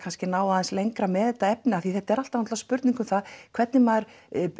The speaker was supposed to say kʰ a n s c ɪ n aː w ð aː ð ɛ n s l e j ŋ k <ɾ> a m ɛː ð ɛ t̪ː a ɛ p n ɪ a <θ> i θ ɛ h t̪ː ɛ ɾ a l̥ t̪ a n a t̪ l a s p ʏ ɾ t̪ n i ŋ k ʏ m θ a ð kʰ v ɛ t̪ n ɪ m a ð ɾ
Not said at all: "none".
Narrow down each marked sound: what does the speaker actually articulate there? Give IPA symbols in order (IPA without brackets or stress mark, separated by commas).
ɾ, θ